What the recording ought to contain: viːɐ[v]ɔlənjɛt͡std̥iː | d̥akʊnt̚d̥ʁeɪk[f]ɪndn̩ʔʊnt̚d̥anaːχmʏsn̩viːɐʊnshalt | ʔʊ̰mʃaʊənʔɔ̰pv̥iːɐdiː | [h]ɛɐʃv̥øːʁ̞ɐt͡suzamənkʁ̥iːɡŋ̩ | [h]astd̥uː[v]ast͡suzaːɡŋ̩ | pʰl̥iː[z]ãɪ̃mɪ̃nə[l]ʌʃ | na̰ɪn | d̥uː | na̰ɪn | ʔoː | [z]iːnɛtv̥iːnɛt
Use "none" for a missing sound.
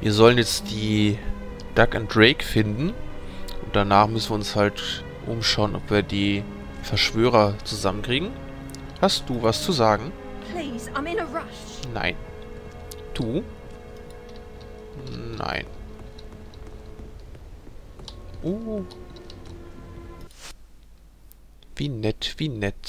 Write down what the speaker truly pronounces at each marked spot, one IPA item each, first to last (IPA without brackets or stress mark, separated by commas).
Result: z, f, f, h, v, z, ɹ, v